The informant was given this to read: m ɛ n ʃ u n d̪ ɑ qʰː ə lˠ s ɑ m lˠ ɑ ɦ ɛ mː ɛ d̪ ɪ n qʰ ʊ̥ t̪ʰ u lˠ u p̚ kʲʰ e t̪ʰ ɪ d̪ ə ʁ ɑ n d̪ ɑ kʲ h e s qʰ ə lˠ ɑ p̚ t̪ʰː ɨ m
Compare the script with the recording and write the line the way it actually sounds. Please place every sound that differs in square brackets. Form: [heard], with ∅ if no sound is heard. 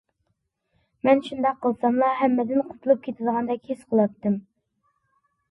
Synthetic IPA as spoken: m ɛ n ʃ u n d̪ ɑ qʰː ə lˠ s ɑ m lˠ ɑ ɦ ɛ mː ɛ d̪ ɪ n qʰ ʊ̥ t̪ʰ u lˠ u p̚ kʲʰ e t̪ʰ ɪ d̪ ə ʁ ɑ n d̪ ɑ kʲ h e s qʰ ə lˠ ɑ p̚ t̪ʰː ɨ m